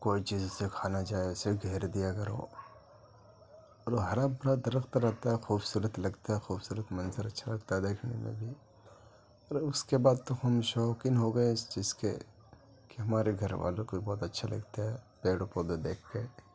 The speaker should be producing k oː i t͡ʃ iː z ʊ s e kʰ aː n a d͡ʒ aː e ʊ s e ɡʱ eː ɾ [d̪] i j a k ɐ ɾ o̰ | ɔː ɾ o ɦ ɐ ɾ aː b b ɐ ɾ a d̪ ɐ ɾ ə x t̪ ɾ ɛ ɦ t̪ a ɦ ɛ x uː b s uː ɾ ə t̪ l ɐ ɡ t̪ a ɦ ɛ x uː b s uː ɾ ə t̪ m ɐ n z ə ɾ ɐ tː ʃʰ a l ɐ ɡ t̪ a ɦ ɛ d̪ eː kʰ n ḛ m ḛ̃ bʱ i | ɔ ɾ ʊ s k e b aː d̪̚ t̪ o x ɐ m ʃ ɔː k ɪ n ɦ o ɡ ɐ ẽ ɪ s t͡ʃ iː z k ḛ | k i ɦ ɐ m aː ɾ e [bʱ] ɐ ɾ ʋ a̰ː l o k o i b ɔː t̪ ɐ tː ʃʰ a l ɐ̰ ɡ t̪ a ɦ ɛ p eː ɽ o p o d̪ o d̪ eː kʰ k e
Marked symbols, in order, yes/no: yes, no

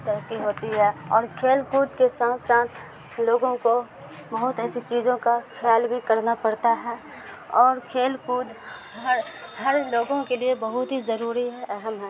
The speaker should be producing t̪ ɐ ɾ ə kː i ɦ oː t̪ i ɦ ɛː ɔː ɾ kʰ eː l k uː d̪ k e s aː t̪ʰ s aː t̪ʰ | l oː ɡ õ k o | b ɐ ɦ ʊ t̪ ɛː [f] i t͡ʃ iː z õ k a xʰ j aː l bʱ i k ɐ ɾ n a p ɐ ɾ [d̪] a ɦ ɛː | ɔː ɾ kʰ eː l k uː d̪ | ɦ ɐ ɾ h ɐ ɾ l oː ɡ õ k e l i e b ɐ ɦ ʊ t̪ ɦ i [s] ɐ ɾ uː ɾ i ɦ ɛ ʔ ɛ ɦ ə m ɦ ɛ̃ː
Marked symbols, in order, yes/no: no, no, no

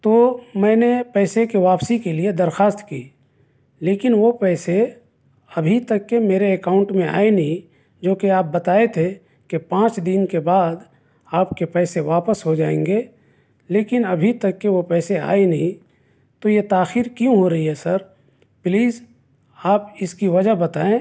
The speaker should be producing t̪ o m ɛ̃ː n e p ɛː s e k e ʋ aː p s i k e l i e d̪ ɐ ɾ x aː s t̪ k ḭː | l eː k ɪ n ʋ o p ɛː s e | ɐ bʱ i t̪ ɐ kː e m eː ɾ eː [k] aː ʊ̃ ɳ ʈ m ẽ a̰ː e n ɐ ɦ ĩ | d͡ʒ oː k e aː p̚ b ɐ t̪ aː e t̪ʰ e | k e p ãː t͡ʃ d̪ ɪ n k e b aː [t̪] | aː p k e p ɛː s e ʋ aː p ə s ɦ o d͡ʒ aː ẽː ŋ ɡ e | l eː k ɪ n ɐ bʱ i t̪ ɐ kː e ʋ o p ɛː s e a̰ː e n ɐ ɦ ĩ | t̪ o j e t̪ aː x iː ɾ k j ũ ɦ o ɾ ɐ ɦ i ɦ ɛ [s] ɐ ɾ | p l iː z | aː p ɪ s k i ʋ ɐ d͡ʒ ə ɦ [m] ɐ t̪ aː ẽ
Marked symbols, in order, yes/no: yes, no, yes, no

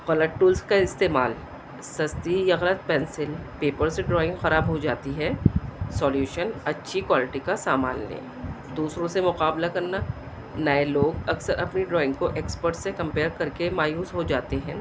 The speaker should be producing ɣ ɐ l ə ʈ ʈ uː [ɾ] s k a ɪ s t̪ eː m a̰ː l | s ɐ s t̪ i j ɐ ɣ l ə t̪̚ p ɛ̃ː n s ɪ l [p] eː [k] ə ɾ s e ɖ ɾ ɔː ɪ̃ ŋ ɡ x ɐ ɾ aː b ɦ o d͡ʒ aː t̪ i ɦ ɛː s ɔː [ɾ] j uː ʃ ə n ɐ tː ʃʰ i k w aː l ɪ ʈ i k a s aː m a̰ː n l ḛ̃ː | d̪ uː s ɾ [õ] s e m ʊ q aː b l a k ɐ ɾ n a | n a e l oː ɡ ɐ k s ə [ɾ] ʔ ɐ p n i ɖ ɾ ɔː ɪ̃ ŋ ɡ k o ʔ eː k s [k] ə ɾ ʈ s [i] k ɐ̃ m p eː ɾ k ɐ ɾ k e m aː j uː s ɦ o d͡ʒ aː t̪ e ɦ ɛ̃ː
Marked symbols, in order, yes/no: no, yes, no, no, yes, yes, no, no

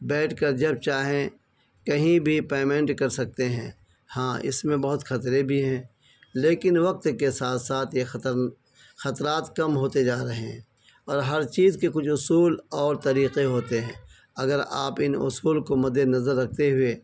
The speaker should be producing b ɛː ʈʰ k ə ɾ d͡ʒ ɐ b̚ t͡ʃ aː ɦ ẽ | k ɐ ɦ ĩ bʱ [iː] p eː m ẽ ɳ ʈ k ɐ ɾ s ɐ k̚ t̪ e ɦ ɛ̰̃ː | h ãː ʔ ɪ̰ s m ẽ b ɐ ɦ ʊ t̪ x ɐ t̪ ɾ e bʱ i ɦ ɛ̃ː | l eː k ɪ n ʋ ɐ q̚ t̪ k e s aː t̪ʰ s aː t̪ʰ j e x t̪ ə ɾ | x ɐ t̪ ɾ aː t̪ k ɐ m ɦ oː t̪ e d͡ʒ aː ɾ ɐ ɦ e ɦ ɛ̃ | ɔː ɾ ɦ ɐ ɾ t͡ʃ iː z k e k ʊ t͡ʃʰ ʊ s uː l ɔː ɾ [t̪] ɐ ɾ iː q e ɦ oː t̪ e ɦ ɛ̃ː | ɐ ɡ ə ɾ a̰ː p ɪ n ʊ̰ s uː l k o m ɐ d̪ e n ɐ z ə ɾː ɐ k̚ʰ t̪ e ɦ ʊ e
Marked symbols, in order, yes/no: no, yes

